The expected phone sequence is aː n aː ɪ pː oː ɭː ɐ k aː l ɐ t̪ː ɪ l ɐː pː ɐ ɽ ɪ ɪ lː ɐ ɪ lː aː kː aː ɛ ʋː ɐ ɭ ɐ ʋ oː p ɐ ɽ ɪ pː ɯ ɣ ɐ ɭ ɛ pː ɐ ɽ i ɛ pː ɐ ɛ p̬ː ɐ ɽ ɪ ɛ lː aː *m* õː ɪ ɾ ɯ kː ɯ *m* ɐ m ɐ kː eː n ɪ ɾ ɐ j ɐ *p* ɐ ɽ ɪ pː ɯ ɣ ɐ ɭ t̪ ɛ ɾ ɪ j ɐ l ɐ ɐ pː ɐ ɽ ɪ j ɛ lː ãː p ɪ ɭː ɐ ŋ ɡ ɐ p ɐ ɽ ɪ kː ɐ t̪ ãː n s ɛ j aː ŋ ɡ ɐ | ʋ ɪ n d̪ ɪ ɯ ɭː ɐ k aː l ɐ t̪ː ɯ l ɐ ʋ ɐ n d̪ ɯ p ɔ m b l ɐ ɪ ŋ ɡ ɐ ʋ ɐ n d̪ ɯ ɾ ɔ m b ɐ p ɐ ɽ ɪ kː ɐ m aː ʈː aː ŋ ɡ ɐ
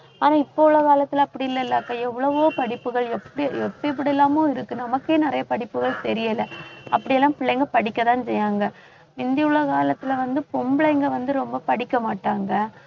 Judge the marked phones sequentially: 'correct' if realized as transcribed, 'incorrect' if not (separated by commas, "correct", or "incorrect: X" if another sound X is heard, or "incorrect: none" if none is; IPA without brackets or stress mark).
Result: correct, incorrect: n, correct